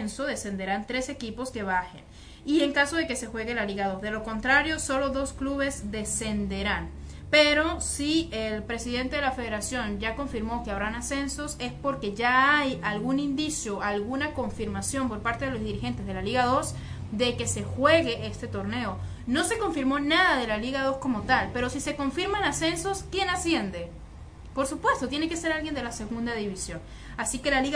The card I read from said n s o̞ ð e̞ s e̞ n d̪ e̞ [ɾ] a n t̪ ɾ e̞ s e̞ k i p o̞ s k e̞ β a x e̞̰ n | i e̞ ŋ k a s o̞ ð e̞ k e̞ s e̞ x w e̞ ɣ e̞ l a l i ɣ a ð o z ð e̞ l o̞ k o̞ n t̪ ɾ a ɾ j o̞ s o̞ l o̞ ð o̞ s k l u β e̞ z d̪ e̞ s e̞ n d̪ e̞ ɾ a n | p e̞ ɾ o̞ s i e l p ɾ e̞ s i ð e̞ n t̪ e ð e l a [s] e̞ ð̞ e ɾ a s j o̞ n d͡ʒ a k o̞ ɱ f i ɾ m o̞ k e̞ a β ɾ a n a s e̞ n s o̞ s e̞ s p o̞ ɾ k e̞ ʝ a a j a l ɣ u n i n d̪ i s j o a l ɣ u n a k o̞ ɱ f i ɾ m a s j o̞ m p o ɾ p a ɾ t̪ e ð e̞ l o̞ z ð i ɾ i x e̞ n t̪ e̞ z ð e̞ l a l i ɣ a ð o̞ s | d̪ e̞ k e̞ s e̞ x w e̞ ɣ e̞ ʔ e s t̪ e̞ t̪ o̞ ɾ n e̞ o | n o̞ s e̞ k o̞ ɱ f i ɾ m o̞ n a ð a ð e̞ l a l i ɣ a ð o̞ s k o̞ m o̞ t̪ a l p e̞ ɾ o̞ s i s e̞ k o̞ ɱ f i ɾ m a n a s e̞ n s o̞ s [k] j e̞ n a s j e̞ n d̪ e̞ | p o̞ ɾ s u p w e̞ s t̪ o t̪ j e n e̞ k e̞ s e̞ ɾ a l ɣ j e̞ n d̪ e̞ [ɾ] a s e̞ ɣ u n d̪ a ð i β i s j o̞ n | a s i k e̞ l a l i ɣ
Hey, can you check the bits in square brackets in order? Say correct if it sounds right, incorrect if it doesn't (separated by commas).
correct, incorrect, correct, incorrect